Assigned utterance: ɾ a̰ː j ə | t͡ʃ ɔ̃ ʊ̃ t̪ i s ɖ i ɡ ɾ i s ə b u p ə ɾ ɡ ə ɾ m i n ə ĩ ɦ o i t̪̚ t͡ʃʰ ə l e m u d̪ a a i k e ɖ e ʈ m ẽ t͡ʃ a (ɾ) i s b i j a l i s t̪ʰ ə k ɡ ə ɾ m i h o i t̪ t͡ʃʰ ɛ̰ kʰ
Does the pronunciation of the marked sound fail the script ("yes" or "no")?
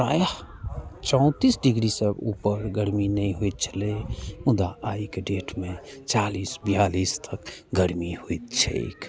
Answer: yes